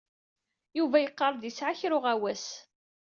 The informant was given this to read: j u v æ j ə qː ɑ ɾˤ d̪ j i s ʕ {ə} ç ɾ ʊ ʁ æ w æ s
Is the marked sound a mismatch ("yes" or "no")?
yes